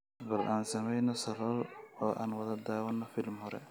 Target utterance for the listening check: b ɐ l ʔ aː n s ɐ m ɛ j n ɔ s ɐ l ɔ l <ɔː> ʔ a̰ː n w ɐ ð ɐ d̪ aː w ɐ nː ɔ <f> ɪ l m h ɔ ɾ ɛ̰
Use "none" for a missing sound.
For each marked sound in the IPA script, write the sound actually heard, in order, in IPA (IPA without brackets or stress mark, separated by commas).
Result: ɔː, f